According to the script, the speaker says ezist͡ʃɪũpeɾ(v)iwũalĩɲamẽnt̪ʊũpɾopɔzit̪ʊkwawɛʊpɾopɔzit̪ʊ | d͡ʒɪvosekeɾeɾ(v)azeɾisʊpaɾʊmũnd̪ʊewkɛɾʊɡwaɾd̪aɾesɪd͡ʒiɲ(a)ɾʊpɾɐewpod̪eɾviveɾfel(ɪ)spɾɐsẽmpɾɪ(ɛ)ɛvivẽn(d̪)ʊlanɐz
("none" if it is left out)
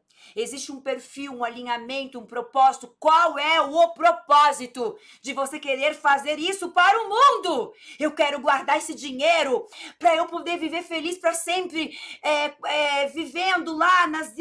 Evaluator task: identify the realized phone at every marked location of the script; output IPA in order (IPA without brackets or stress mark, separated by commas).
f, f, e, i, ɛ, d̪